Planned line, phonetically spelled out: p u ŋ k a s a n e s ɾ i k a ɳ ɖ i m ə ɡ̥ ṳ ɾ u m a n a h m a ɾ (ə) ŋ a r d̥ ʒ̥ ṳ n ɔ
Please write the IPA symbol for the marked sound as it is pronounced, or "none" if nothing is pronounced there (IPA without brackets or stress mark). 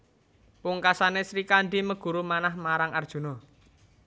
a